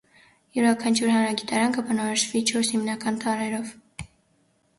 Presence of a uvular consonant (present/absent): absent